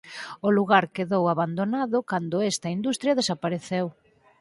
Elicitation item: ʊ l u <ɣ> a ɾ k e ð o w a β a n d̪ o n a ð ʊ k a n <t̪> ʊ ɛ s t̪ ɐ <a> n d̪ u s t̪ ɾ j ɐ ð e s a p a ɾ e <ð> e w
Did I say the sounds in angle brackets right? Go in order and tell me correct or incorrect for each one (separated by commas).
correct, incorrect, incorrect, incorrect